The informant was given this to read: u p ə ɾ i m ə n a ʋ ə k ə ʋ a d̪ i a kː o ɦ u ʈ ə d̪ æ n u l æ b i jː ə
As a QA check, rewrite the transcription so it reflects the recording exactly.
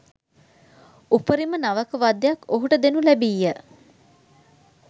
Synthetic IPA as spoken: u p ə ɾ i m ə n a ʋ ə k ə ʋ a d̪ j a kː o ɦ u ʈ ə d̪ e n u l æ b i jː ə

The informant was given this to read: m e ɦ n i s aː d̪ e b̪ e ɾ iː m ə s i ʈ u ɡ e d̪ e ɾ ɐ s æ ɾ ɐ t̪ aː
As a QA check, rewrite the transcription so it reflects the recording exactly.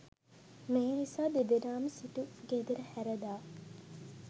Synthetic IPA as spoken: m e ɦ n i s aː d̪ e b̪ e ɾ aː m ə s i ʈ u ɡ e d̪ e ɾ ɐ h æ ɾ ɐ d̪ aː

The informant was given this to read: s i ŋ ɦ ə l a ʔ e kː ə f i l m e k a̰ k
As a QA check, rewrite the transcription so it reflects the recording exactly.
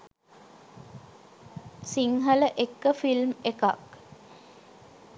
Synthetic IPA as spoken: s i ŋ ɦ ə l ə ʔ e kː ə f i l m e k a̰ k

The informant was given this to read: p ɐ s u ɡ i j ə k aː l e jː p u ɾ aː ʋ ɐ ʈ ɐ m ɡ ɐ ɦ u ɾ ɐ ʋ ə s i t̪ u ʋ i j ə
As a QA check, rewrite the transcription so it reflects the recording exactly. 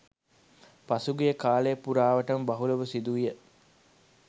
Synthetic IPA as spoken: p ɐ s u ɡ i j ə k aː l e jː p u ɾ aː ʋ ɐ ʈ ɐ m b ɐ ɦ u l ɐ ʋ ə s i d̪ u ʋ i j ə

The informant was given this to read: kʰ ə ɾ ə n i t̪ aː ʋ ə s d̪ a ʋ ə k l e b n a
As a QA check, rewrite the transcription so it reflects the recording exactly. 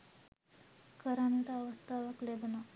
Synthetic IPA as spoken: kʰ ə ɾ a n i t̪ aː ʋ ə s t̪ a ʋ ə k l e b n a

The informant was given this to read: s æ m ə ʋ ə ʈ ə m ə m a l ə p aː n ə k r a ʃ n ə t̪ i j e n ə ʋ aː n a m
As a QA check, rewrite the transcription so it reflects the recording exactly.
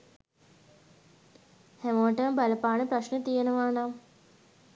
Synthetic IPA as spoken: h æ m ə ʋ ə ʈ ə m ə b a l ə p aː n ə p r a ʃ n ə t̪ i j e n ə ʋ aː n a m

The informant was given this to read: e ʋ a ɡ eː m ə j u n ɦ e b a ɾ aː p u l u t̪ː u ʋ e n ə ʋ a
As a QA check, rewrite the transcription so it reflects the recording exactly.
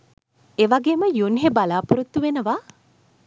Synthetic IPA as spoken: e ʋ a ɡ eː m ə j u n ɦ e b a l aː p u ɾ u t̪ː u ʋ e n ə ʋ a

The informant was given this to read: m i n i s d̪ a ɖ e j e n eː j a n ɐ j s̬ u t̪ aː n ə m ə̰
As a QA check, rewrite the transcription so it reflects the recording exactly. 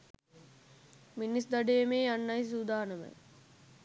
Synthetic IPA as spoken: m i n i s d̪ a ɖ e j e m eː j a nː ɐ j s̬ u d̪ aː n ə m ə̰

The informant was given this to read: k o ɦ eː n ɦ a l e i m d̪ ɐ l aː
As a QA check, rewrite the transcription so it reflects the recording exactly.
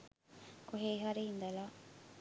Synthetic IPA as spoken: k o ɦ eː ɦ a ɾ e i n d̪ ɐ l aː

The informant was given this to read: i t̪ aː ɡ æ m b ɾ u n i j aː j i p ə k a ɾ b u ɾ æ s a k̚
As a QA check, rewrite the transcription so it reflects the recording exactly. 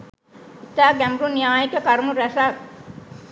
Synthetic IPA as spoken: i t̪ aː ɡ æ m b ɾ u n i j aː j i k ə k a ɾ m u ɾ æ s a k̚

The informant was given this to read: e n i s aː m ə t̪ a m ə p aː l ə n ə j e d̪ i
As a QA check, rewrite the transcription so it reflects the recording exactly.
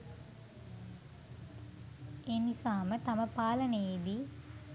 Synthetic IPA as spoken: e n i s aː m ə t̪ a m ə p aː l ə n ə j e d̪ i

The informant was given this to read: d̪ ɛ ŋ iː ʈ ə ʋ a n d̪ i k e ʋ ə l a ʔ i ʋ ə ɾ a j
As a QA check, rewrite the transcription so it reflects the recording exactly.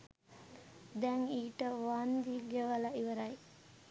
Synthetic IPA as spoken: d̪ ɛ ŋ iː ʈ ə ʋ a n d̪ i ɡ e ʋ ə l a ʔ i ʋ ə ɾ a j

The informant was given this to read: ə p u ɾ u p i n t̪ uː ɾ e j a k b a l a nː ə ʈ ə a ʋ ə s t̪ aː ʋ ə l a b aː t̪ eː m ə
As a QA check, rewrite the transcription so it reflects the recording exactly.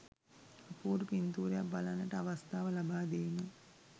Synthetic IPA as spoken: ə p uː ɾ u p i n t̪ uː ɾ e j a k b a l a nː ə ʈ ə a ʋ a s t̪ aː ʋ ə l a b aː d̪ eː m ə

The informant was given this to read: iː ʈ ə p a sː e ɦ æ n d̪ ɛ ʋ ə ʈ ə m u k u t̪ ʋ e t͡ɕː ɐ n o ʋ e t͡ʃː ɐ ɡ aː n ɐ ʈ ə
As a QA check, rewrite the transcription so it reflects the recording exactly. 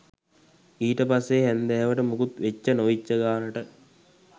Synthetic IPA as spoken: iː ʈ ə p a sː e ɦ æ n d̪ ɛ ʋ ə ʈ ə m u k u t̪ ʋ e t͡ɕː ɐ n o ʋ i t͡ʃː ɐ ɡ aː n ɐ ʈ ə

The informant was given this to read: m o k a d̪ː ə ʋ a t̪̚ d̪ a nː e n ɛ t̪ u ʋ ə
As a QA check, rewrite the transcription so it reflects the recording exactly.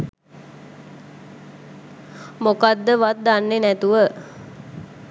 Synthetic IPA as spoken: m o k a d̪ː ə ʋ a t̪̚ d̪ a nː e n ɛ t̪ u ʋ ə

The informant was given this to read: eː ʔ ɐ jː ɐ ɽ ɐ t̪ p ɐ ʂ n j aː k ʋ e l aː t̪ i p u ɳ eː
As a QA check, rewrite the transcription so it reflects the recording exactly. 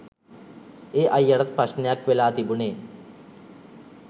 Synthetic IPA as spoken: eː ʔ ɐ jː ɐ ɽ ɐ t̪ p ɐ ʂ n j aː k ʋ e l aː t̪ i b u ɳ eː

